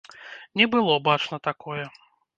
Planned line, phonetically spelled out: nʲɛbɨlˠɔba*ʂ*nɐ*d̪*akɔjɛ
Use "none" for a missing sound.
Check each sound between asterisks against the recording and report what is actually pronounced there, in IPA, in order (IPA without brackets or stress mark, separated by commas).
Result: t͡ʂ, t̪